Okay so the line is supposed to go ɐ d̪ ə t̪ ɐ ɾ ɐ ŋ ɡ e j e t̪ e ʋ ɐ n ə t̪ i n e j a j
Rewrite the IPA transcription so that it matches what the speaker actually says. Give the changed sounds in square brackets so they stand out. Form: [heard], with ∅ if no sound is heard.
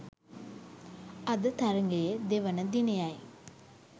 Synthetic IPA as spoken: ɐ d̪ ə t̪ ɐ ɾ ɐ ŋ ɡ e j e [d̪] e ʋ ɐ n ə [d̪] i n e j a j